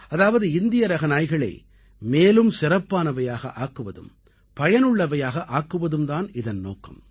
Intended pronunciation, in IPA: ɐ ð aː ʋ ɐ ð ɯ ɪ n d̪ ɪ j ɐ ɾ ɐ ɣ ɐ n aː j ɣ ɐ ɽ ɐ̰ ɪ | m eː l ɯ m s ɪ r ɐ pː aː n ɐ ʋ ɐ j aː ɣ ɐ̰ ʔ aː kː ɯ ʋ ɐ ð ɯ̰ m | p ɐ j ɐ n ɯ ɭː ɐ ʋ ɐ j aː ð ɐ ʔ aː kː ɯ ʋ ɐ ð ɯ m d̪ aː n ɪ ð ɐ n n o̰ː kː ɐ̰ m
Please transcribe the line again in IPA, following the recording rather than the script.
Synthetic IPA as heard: ɐ ð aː ʋ ɐ ð ɯ ɪ n d̪ ɪ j ɐ ɾ ɐ ɣ ɐ n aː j ɣ ɐ ɭ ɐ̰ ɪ | m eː l ɯ m s ɪ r ɐ pː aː n ɐ ʋ ɐ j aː ɣ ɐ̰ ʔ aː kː ɯ ʋ ɐ ð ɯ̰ m | p ɐ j ɐ n ɯ ɭː ɐ ʋ ɐ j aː ɣ ɐ ʔ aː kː ɯ ʋ ɐ ð ɯ m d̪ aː n ɪ ð ɐ n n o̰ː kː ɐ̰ m